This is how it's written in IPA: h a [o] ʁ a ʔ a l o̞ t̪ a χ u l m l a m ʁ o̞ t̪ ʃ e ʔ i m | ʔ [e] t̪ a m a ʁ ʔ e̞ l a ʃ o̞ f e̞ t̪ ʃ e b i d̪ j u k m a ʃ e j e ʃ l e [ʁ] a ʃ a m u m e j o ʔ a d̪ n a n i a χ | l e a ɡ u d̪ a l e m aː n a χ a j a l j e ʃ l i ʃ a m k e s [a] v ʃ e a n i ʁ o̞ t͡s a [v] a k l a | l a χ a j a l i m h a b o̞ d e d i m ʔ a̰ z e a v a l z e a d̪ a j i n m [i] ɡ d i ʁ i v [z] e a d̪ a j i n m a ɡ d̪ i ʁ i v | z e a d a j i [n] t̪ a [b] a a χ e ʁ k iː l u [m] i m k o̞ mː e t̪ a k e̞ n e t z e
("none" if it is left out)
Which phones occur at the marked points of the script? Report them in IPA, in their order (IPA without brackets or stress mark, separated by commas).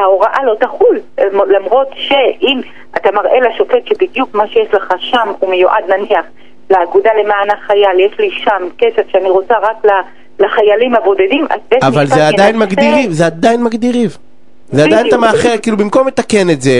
o, a, χ, e, ʁ, a, z, n, m, b